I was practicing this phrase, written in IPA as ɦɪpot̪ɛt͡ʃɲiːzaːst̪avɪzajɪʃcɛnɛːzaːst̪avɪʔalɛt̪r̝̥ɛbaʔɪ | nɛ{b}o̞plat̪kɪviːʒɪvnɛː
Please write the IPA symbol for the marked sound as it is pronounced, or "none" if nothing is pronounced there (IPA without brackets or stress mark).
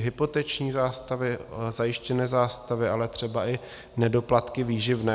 d